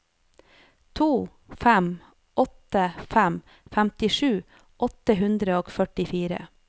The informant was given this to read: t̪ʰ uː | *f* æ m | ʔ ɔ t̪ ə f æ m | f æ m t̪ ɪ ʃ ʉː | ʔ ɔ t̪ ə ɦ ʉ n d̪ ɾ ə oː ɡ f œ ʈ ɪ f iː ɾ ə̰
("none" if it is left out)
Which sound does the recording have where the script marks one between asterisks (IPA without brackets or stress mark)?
f